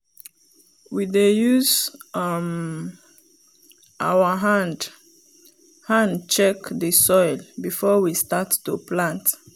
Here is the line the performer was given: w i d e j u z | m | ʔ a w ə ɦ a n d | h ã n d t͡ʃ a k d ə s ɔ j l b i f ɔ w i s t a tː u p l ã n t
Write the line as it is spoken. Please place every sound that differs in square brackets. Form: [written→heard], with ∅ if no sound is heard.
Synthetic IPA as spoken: w i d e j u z | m | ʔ a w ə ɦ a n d | h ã n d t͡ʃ [a→ɛ] k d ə s ɔ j l b i f ɔ w i s t a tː u p l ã n t